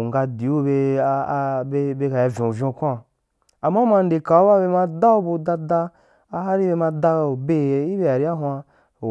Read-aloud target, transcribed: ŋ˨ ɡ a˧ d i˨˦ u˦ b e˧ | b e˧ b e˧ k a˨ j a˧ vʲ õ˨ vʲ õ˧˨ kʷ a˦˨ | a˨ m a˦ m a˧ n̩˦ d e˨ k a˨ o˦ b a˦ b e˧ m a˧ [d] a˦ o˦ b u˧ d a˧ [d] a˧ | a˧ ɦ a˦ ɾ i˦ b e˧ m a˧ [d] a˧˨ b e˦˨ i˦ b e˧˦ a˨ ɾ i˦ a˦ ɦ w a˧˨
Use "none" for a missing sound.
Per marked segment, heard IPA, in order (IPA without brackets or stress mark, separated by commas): d, d, d